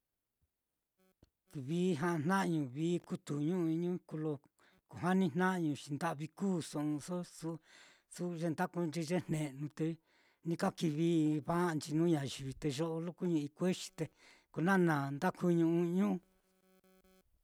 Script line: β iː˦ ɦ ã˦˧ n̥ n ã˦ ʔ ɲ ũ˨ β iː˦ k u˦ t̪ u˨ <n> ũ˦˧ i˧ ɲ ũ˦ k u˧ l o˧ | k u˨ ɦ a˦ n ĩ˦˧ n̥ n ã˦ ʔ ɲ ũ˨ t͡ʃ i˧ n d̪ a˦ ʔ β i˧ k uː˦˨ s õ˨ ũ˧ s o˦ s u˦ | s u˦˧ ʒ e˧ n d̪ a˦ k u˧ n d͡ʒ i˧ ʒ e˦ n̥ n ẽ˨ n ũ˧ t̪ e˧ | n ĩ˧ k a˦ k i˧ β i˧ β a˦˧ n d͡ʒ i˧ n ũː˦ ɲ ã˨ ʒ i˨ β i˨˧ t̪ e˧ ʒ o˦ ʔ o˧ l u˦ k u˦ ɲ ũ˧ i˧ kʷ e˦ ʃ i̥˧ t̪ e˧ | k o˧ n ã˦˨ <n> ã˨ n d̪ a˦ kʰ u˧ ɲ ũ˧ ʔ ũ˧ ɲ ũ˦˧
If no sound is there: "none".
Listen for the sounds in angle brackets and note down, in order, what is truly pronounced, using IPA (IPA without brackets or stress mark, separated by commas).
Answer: ɲ, n